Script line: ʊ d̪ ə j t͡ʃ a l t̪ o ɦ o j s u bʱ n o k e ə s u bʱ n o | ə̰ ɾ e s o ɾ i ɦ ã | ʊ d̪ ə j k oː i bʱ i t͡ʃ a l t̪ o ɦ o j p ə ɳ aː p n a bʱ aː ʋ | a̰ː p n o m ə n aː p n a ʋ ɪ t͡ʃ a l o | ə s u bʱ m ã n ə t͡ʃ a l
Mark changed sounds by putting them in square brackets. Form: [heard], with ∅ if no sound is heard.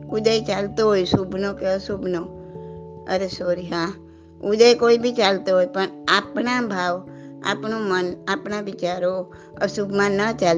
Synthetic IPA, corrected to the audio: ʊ d̪ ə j t͡ʃ a l t̪ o ɦ o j s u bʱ n o k e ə s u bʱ n o | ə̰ ɾ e s o ɾ i ɦ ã | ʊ d̪ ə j k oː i bʱ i t͡ʃ a l t̪ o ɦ o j p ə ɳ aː p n a bʱ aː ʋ | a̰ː p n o m ə n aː p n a ʋ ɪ t͡ʃ a [ɾ] o | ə s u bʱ m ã n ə t͡ʃ a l